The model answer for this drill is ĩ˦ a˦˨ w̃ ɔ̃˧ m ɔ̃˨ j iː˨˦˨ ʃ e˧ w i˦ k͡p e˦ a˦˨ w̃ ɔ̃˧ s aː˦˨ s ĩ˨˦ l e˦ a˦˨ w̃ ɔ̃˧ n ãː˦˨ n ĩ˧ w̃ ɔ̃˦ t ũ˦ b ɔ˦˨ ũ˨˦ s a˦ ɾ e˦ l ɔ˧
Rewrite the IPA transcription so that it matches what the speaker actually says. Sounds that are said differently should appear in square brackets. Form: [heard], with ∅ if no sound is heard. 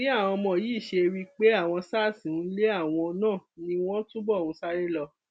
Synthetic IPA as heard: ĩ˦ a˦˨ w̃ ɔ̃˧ m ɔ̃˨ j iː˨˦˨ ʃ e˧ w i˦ k͡p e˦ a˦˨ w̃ ɔ̃˧ s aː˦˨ s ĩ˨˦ l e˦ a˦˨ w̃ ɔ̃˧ n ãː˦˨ n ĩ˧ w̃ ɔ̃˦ t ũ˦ b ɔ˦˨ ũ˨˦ s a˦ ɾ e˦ l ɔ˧

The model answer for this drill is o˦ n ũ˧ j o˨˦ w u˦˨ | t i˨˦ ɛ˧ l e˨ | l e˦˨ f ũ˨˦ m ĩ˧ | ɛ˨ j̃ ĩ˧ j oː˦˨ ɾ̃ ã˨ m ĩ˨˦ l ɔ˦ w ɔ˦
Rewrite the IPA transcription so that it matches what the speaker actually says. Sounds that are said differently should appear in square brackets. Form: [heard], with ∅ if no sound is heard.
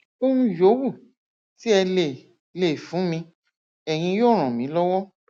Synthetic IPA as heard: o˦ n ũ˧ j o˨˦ w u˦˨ | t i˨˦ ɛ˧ l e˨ | l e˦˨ f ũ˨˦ m ĩ˧ | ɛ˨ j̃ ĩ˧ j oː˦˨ ɾ̃ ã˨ m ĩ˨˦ l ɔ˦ w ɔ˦

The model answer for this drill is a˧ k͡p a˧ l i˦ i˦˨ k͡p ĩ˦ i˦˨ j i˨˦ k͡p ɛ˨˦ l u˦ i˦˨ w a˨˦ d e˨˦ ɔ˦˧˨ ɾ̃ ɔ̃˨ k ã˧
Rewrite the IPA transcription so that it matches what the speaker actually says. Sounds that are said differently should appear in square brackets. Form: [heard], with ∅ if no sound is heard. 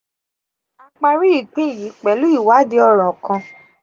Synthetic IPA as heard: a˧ k͡p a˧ [ɾ] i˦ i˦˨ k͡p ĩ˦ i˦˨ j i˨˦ k͡p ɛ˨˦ l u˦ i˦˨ w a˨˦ d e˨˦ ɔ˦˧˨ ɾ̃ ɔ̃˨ k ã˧

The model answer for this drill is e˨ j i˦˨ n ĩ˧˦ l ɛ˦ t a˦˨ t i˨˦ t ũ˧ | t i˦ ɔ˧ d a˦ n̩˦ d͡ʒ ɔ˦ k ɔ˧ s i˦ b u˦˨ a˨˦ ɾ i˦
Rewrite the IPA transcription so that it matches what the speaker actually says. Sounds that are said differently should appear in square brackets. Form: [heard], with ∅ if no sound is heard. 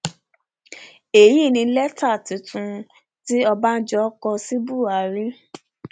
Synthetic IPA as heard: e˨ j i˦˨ n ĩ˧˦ l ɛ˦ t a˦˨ t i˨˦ t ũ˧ | t i˦ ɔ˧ [b] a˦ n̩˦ d͡ʒ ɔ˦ k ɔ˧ s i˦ b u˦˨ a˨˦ ɾ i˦

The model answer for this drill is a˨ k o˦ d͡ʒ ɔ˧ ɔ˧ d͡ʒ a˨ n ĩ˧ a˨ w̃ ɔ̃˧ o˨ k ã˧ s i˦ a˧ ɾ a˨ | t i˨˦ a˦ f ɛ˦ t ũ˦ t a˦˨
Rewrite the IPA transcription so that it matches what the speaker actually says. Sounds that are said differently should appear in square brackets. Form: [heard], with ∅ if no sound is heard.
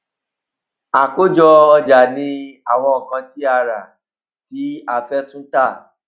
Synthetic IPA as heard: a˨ k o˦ d͡ʒ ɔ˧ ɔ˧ d͡ʒ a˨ n ĩ˧ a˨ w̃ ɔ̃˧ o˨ k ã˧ [t] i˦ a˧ ɾ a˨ | t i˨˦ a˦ f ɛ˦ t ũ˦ t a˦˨

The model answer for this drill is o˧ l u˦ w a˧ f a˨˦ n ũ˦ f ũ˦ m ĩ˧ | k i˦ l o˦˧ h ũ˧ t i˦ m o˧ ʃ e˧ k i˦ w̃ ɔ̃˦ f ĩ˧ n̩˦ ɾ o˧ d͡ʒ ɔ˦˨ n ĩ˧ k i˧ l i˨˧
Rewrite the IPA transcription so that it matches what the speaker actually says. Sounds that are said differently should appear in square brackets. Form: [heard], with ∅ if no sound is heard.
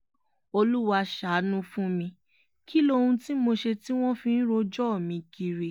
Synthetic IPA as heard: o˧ l u˦ w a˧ [ʃ] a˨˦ n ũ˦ f ũ˦ m ĩ˧ | k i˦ l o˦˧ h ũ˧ t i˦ m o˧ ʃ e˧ [t] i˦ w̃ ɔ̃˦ f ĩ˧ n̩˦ ɾ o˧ d͡ʒ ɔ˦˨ [m] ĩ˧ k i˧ [ɾ] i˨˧

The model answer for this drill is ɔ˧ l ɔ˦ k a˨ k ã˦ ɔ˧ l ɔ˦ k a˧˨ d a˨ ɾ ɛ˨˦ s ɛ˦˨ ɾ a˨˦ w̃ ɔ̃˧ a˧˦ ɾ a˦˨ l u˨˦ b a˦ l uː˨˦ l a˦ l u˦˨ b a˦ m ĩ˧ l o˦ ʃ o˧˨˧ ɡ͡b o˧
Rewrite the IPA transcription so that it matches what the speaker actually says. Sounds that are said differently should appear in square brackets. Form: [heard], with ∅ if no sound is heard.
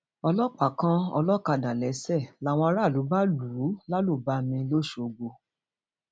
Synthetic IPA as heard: ɔ˧ l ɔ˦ [k͡p] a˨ k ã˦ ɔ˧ l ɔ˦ k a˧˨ d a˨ [l] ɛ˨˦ s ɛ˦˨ [l] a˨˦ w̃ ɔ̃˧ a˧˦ ɾ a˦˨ l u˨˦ b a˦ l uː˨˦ l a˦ l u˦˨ b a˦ m ĩ˧ l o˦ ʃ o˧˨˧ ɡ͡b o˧

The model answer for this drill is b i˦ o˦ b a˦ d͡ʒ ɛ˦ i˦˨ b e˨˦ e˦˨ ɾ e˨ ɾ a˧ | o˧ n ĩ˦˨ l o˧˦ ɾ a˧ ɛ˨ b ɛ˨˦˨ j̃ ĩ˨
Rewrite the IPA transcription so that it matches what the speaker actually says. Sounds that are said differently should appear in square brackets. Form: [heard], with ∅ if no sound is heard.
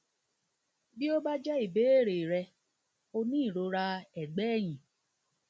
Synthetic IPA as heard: b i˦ o˦ b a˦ d͡ʒ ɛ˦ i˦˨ b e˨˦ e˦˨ ɾ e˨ ɾ [ɛ˧] | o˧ n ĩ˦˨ [ɾ] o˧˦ ɾ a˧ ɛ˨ [ɡ͡b] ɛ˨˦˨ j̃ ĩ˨

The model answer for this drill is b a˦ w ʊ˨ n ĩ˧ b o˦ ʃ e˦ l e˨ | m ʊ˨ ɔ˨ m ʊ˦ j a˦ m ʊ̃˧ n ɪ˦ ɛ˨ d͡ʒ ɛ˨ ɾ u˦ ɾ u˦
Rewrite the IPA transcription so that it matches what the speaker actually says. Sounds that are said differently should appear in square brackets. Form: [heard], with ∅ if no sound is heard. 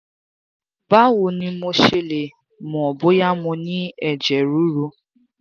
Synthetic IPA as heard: b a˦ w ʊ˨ n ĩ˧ [m] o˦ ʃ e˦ l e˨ | m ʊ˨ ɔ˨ [b] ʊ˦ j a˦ m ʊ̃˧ n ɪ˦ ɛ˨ d͡ʒ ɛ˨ ɾ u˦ ɾ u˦

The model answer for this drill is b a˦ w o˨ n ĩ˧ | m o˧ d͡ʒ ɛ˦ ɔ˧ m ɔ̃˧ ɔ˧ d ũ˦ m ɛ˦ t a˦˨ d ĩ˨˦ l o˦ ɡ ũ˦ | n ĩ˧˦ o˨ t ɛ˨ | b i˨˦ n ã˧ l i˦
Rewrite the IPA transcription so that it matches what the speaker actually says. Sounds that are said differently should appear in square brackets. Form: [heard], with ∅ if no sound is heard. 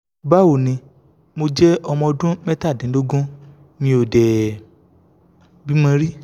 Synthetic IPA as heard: b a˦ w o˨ n ĩ˧ | m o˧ d͡ʒ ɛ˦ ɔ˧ m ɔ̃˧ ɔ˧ d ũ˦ m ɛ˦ t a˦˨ d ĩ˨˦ l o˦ ɡ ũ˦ | n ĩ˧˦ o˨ [d] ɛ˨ | b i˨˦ [m] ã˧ [ɾ] i˦

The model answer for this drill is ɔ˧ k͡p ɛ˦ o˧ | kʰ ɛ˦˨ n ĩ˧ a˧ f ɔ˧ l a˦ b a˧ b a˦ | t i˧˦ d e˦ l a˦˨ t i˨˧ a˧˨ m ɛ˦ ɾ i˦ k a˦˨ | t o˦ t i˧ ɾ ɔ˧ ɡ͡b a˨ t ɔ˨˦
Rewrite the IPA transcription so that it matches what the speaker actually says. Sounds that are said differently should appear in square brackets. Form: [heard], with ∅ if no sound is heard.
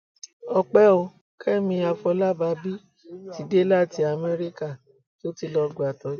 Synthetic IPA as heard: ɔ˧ k͡p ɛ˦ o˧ | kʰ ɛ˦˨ [m] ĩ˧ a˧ f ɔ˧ l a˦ b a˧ b [i˦] | t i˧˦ d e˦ l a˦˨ t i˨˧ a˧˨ m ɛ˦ ɾ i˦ k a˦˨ | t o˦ t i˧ [l] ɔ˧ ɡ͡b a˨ t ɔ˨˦

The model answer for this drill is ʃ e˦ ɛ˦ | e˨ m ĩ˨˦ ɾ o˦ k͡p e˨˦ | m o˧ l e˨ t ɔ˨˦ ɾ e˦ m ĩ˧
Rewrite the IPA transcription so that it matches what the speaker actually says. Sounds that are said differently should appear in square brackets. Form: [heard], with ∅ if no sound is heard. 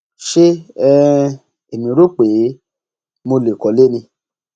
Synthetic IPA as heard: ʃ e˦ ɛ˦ | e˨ m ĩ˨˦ ɾ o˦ k͡p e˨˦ | m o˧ l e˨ [k] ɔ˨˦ [l] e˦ [n] ĩ˧

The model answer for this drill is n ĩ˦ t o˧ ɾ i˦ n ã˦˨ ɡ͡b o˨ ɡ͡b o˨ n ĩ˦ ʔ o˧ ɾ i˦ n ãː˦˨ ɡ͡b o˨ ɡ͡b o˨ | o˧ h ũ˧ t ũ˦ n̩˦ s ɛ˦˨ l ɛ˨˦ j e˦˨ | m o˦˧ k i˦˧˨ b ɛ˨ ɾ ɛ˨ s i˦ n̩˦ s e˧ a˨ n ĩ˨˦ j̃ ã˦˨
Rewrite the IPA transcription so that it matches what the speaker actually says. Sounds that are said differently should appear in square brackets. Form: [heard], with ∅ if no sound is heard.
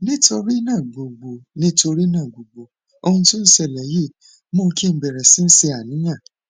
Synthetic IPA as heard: n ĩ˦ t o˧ ɾ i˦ n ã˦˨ ɡ͡b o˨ ɡ͡b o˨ n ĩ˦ [t] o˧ ɾ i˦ n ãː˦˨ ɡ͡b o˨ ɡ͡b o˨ | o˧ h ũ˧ t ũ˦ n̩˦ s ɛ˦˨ l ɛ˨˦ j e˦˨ | m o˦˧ k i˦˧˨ b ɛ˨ ɾ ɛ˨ s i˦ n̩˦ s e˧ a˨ n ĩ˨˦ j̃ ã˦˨

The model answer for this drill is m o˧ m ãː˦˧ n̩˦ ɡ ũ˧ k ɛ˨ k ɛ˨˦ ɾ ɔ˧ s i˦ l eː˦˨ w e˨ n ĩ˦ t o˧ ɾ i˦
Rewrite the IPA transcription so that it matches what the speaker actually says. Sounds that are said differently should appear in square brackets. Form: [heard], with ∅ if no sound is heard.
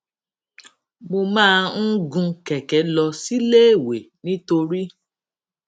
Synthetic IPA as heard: m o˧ m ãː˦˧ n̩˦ ɡ ũ˧ k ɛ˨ k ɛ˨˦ [l] ɔ˧ s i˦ l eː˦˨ w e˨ n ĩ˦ t o˧ ɾ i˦

